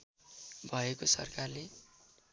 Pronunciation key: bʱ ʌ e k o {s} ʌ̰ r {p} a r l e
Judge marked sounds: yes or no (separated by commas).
yes, no